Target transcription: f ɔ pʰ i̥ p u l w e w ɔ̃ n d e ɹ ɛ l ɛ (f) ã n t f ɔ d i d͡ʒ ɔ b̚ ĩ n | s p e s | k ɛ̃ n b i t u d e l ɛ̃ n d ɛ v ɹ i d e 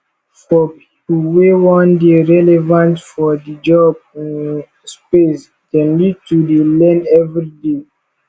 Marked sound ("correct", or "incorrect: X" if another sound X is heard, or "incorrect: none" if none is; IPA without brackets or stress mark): incorrect: v